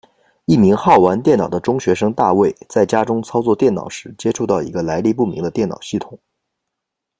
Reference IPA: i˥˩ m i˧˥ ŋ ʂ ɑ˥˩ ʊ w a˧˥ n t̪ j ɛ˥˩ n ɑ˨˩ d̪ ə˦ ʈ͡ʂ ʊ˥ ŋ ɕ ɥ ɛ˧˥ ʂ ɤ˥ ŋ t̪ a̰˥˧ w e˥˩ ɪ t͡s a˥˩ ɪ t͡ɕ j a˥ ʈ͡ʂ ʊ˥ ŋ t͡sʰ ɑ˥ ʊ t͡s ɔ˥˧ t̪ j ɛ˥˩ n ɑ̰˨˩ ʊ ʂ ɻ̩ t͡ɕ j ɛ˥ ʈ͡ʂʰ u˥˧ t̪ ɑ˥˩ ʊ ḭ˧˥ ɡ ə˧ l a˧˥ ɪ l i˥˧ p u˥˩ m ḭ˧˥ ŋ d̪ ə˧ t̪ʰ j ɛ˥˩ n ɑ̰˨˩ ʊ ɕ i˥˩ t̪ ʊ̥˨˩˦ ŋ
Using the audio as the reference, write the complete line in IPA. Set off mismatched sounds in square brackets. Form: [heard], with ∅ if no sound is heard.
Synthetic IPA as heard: i˥˩ m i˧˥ ŋ [x] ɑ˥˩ ʊ w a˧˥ n t̪ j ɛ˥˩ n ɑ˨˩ d̪ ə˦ ʈ͡ʂ ʊ˥ ŋ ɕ ɥ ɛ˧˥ ʂ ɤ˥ ŋ t̪ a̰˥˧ w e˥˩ ɪ t͡s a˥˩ ɪ t͡ɕ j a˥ ʈ͡ʂ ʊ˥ ŋ t͡sʰ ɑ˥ ʊ t͡s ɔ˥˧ t̪ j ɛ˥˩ n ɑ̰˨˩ ʊ ʂ ɻ̩ t͡ɕ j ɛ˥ ʈ͡ʂʰ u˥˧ t̪ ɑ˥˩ ʊ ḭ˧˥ ɡ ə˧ l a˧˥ ɪ l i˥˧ p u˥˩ m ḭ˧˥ ŋ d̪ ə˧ [t̪] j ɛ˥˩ n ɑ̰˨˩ ʊ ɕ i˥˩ [t̪ʰ] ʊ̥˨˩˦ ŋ

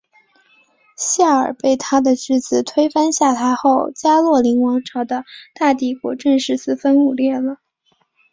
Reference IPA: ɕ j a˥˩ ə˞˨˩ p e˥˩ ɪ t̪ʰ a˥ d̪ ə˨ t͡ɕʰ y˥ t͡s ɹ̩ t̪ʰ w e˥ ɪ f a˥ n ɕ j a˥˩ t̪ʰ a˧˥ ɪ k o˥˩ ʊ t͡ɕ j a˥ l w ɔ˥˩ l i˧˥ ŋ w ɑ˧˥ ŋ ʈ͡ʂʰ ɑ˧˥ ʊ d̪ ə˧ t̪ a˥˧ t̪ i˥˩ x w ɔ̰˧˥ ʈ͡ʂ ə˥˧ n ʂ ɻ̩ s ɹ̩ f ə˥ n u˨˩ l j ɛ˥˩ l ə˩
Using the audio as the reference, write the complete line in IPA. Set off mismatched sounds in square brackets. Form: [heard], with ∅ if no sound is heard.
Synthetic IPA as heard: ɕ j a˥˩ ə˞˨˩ p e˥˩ ɪ t̪ʰ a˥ d̪ ə˨ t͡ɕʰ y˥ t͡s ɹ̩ t̪ʰ w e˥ ɪ f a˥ n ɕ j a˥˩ t̪ʰ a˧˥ ɪ [x] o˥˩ ʊ t͡ɕ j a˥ l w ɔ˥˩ l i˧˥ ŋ w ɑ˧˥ ŋ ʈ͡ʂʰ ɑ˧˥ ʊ d̪ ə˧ t̪ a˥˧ t̪ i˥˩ [k] w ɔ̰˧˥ ʈ͡ʂ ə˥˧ n ʂ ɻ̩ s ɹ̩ f ə˥ n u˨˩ l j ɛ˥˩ l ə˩

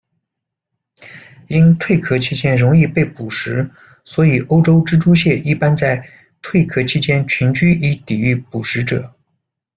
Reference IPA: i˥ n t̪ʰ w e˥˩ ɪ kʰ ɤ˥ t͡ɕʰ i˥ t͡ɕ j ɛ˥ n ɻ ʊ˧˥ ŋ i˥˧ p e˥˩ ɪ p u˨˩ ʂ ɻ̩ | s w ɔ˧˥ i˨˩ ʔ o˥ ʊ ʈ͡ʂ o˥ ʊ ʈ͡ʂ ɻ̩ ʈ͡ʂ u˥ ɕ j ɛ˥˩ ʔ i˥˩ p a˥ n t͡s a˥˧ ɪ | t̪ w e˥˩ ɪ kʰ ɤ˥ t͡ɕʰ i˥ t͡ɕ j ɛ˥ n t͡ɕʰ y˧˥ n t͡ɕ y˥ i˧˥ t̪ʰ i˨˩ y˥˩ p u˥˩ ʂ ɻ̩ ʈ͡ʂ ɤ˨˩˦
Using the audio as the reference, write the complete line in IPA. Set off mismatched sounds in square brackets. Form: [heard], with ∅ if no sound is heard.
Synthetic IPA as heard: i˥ n t̪ʰ w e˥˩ ɪ kʰ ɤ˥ t͡ɕʰ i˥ t͡ɕ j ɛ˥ n ɻ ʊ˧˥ ŋ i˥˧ p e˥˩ ɪ p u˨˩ ʂ ɻ̩ | s w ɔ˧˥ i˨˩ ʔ o˥ ʊ ʈ͡ʂ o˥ ʊ ʈ͡ʂ ɻ̩ ʈ͡ʂ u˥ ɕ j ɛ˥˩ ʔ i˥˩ p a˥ n t͡s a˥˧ ɪ | [t̪ʰ] w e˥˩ ɪ kʰ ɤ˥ t͡ɕʰ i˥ t͡ɕ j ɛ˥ n t͡ɕʰ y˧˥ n t͡ɕ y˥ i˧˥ [t̪] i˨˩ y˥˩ p [u˨˩] ʂ ɻ̩ ʈ͡ʂ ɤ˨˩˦

